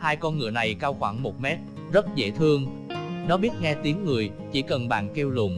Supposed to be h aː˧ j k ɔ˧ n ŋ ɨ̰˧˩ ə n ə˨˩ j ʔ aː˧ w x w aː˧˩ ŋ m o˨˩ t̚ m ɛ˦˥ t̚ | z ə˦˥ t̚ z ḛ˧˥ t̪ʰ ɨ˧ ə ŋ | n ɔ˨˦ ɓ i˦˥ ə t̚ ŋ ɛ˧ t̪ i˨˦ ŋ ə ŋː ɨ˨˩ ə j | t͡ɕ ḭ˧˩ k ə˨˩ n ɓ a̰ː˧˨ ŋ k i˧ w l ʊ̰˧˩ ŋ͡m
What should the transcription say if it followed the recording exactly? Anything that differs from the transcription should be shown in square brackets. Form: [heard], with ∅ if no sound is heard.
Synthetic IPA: h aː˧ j k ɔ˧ n ŋ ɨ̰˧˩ ə n [a˨˩] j [k] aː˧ w x w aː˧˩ ŋ m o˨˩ t̚ m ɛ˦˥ t̚ | z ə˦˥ t̚ z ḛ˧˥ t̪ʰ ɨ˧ ə ŋ | n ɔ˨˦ ɓ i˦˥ ə t̚ ŋ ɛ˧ t̪ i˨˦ [∅] ə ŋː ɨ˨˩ ə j | t͡ɕ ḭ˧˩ k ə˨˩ n ɓ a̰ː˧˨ [n] k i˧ w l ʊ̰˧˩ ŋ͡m

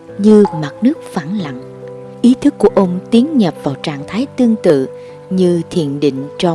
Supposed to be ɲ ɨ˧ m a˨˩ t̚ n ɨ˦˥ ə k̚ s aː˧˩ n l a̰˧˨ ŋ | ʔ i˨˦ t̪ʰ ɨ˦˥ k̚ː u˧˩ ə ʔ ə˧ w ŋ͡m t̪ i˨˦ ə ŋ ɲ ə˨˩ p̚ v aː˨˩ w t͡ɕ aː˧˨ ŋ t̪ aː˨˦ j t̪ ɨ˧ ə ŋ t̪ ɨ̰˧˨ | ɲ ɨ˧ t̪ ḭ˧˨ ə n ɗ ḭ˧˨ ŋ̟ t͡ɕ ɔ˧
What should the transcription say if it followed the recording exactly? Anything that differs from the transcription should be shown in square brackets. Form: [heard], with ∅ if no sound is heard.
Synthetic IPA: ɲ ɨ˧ m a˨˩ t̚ n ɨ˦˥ ə k̚ [f] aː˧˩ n l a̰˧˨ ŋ | ʔ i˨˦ t̪ʰ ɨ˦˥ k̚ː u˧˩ ə ʔ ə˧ w ŋ͡m t̪ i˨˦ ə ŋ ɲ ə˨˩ p̚ v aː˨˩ w t͡ɕ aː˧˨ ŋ [t̪ʰ] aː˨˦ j t̪ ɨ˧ ə ŋ t̪ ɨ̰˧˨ | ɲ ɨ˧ [t̪ʰ] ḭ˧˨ ə n ɗ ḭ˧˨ ŋ̟ t͡ɕ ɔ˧

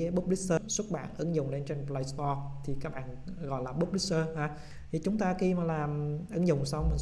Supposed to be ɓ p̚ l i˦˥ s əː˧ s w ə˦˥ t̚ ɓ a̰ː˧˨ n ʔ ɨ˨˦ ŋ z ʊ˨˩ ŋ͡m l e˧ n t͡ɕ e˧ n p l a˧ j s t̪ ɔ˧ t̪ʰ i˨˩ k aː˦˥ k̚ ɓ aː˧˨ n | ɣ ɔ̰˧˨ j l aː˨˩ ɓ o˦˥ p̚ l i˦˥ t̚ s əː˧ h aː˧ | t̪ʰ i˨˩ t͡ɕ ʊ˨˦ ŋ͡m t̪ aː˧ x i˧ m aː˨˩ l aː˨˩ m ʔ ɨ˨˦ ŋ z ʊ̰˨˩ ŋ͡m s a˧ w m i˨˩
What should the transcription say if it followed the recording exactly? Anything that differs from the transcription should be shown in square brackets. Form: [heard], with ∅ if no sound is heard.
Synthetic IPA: ɓ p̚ l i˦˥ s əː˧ s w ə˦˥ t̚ ɓ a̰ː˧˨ n ʔ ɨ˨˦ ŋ z ʊ˨˩ ŋ͡m l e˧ n t͡ɕ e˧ n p l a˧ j s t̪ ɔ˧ t̪ʰ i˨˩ k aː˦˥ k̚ ɓ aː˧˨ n | ɣ ɔ̰˧˨ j l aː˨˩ ɓ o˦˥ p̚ l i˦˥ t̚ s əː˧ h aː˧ | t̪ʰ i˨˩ t͡ɕ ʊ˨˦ ŋ͡m t̪ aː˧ x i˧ m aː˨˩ l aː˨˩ m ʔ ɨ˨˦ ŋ z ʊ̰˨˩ ŋ͡m s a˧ w m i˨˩

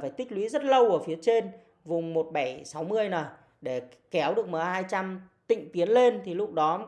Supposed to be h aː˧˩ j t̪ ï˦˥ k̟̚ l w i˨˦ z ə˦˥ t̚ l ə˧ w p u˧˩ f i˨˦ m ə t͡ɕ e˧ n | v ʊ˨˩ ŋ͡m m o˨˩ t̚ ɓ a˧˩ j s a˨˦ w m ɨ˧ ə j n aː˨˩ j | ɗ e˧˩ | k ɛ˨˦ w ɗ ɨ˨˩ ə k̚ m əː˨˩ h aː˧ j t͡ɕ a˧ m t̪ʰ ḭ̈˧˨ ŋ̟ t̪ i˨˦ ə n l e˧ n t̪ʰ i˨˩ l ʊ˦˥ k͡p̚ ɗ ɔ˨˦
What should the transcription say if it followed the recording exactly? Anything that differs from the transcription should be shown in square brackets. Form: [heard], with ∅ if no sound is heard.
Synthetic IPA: [f] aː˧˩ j t̪ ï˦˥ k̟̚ l w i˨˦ z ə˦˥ t̚ l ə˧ w [k] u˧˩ f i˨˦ [∅] ə t͡ɕ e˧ n | v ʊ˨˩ ŋ͡m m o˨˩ t̚ ɓ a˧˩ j s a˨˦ w m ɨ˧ ə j n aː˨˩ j | ɗ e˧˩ | k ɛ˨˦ w ɗ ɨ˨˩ ə k̚ m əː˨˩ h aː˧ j t͡ɕ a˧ m [t̪] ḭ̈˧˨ ŋ̟ t̪ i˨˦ ə n l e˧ n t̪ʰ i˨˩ l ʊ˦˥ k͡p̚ ɗ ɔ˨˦

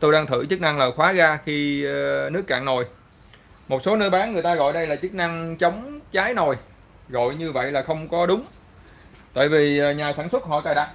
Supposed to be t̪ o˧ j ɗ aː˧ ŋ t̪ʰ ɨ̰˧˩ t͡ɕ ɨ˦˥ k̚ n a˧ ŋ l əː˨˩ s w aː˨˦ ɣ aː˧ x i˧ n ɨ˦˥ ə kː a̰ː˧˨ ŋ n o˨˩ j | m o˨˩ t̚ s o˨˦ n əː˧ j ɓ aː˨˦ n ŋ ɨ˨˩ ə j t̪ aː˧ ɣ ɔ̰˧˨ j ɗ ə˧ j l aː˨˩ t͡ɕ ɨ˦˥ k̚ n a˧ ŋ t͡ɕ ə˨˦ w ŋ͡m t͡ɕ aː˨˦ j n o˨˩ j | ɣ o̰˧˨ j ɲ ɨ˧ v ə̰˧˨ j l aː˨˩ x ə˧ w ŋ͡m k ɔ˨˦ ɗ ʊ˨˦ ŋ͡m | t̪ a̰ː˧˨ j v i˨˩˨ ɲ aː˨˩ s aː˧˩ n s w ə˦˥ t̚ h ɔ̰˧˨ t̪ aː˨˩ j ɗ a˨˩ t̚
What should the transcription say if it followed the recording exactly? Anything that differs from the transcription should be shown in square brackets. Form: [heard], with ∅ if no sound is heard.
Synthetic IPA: t̪ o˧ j ɗ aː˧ ŋ t̪ʰ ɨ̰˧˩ t͡ɕ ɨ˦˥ k̚ n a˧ ŋ l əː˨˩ [x] w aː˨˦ ɣ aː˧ x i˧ n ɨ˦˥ ə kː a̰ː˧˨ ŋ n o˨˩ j | m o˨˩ t̚ s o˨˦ n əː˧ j ɓ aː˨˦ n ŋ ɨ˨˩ ə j t̪ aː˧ ɣ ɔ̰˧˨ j ɗ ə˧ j l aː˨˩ t͡ɕ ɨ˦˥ k̚ n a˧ ŋ t͡ɕ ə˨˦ w ŋ͡m t͡ɕ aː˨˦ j n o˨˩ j | ɣ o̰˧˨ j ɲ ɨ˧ v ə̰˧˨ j l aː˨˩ x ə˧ w ŋ͡m k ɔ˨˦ ɗ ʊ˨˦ ŋ͡m | t̪ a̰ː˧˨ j v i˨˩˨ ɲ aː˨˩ s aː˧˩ n s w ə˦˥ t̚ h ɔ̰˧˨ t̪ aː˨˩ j ɗ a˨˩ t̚

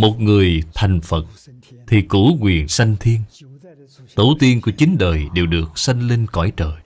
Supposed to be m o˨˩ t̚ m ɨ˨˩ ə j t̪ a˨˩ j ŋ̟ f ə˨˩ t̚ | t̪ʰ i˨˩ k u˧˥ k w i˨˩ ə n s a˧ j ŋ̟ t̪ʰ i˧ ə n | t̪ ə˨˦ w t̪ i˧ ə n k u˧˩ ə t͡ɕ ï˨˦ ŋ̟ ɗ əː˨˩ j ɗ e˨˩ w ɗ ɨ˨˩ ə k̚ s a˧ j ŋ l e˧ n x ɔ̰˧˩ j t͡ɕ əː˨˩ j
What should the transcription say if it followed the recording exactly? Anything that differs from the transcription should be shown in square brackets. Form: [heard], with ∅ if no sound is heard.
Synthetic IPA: m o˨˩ t̚ [ŋ] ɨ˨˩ ə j [t̪ʰ] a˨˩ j ŋ̟ f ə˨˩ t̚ | t̪ʰ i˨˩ k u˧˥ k w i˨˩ ə n s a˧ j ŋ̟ t̪ʰ i˧ ə n | t̪ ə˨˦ w t̪ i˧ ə n k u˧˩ ə t͡ɕ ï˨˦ ŋ̟ ɗ əː˨˩ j ɗ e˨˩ w ɗ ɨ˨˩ ə k̚ s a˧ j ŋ l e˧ n [k] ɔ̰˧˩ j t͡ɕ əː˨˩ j

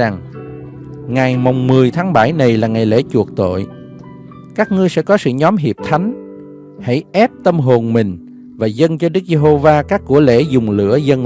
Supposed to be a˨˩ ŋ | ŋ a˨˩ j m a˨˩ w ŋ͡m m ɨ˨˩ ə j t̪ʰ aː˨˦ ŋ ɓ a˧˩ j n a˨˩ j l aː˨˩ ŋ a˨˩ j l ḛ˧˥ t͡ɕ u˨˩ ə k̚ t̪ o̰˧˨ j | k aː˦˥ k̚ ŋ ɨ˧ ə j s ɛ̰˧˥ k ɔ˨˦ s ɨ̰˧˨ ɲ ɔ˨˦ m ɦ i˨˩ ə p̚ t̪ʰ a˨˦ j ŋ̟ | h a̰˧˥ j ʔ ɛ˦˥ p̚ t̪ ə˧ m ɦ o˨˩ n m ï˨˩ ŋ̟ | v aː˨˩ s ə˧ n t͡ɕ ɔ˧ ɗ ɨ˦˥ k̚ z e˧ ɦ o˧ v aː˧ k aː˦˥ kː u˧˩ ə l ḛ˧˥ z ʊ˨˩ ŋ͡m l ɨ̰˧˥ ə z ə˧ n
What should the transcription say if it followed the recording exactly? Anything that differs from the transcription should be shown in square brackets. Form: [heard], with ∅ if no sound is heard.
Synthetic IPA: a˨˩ ŋ | ŋ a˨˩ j m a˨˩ w ŋ͡m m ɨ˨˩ ə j t̪ʰ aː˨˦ ŋ ɓ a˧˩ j n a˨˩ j l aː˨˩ ŋ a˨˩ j l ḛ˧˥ t͡ɕ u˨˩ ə k̚ t̪ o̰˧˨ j | k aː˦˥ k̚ ŋ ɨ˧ ə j s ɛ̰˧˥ k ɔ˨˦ s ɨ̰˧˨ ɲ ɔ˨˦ m ɦ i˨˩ ə p̚ t̪ʰ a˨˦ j ŋ̟ | h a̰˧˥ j ʔ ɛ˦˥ p̚ t̪ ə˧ m ɦ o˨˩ n m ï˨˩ ŋ̟ | v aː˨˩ [z] ə˧ n t͡ɕ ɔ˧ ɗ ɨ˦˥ k̚ z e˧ ɦ o˧ v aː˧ k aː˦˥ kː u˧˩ ə l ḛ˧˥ z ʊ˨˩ ŋ͡m l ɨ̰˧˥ ə z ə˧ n

